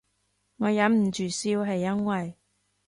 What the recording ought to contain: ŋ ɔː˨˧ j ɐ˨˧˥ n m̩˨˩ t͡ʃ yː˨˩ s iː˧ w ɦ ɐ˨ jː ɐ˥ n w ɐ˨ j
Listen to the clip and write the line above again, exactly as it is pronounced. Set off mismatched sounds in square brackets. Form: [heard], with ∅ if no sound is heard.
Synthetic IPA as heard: ŋ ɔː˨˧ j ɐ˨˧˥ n m̩˨˩ t͡ʃ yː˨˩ s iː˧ w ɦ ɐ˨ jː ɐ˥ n w ɐ˨ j